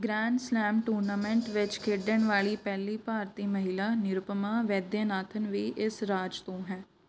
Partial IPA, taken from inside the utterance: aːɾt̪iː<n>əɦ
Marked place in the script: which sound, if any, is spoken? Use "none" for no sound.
m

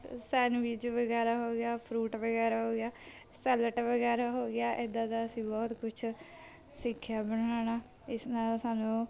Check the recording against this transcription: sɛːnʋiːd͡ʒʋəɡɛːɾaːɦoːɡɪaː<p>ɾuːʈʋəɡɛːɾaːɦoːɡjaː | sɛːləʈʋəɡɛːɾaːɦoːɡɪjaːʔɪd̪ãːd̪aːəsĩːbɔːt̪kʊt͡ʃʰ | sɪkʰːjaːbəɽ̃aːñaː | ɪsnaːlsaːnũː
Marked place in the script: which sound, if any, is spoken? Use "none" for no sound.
pʰ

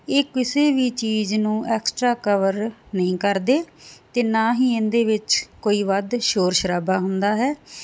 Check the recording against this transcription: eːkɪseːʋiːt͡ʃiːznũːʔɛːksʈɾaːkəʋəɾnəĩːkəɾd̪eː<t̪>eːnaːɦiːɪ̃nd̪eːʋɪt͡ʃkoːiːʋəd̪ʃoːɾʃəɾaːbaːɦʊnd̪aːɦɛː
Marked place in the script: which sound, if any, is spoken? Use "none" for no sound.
t̪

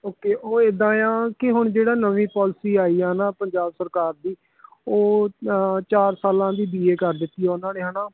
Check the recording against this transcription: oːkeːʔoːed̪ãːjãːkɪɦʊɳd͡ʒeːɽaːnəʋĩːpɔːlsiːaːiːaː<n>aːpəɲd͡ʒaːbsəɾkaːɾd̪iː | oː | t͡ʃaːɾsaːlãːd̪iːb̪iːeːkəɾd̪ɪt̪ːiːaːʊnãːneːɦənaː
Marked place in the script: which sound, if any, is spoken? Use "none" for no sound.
n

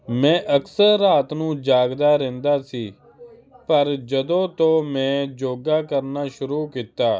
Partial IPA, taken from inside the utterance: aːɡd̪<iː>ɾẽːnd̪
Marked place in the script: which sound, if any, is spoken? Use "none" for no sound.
aː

